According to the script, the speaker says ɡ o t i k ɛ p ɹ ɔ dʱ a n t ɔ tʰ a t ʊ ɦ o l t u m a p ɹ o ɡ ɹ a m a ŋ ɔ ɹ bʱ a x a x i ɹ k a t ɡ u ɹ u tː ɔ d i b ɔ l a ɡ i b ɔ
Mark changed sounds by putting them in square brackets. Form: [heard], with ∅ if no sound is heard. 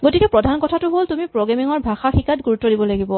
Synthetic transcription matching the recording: ɡ o t i k ɛ p ɹ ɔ dʱ a n [k] ɔ tʰ a t ʊ ɦ o l t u m [i] p ɹ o ɡ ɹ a m [i] ŋ ɔ ɹ bʱ a x a x i [∅] k a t ɡ u ɹ u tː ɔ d i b ɔ l a ɡ i b ɔ